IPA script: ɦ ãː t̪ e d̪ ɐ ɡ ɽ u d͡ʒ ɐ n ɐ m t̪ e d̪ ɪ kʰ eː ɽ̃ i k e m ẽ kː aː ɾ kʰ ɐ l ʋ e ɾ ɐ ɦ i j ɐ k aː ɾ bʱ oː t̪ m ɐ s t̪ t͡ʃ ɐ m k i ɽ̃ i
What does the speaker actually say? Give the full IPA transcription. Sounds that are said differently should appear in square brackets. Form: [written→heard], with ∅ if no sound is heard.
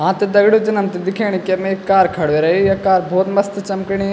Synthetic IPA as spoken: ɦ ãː t̪ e d̪ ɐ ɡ ɽ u d͡ʒ ɐ n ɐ m t̪ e d̪ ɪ kʰ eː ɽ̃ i k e m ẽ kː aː ɾ kʰ ɐ [l→ɽ] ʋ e ɾ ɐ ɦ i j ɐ k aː ɾ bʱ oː t̪ m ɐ s t̪ t͡ʃ ɐ m k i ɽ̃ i